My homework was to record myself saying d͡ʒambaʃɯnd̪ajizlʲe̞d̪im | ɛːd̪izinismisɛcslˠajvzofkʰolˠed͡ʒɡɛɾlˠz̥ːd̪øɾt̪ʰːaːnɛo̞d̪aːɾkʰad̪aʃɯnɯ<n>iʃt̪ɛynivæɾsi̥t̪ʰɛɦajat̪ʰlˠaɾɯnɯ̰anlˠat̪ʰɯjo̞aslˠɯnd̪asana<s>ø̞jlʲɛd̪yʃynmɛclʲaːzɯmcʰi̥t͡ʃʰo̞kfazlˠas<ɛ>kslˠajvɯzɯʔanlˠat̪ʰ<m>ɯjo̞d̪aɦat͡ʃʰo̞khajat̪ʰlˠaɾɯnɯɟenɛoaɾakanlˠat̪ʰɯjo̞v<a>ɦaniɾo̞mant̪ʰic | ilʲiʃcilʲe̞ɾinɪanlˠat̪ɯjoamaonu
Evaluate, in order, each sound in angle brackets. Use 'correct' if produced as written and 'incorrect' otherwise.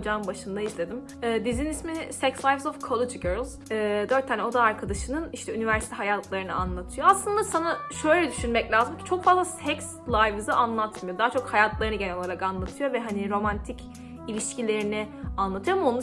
correct, incorrect: ʃ, correct, correct, incorrect: ɛ

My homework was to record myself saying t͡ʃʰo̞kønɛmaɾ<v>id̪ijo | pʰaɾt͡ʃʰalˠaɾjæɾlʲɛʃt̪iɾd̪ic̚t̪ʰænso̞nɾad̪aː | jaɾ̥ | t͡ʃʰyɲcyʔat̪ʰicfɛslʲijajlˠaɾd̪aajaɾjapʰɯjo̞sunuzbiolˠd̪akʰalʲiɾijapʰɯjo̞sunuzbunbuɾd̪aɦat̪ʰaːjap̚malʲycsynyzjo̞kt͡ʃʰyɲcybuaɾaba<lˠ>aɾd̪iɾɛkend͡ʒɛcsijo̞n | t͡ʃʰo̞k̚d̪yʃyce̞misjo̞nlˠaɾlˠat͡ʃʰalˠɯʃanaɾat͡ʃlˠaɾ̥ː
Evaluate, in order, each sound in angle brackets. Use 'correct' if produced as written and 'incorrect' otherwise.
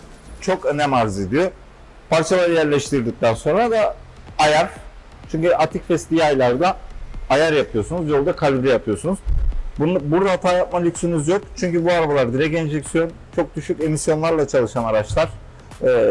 incorrect: z, correct

